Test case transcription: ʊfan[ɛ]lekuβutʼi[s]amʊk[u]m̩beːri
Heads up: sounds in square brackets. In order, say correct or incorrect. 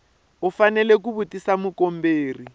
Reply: correct, correct, incorrect: o

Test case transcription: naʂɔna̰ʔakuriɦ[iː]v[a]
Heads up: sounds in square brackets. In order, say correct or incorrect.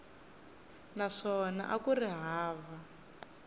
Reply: incorrect: aː, correct

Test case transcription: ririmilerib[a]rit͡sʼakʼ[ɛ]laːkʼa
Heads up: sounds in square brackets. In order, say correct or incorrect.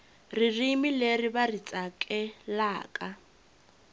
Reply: correct, correct

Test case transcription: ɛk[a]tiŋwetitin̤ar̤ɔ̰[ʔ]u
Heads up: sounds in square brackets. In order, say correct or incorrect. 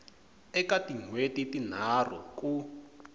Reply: correct, incorrect: k

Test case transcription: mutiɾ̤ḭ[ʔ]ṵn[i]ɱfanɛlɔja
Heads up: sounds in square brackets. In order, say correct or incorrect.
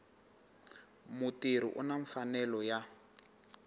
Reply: correct, incorrect: a

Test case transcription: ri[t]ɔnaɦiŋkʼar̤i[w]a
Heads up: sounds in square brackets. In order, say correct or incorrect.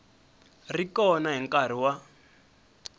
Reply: incorrect: k, correct

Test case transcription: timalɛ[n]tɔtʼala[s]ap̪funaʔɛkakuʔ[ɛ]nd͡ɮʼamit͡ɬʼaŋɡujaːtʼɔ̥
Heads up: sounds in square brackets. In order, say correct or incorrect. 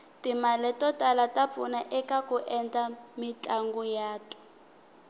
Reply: incorrect: none, incorrect: t, correct

